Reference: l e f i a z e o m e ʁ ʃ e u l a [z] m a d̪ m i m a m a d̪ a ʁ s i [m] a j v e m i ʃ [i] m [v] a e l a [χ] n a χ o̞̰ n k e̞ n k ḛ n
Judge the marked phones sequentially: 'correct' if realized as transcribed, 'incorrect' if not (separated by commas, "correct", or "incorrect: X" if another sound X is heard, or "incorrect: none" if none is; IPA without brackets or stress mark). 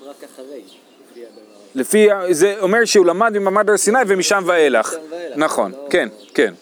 incorrect: none, incorrect: n, incorrect: a, correct, correct